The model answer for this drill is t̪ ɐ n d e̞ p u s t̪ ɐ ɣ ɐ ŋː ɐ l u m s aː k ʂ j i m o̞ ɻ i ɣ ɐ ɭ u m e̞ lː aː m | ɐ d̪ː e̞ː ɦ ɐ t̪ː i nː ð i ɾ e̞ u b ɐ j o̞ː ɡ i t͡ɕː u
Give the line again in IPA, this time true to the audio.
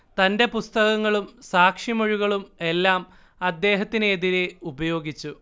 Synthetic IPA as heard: t̪ ɐ n d e̞ p u s t̪ ɐ ɣ ɐ ŋː ɐ ɭ u m s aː k ʂ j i m o̞ ɻ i ɣ ɐ ɭ u m e̞ lː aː m | ɐ d̪ː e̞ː ɦ ɐ t̪ː i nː ð i ɾ e̞ u b ɐ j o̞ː ɡ i t͡ɕː u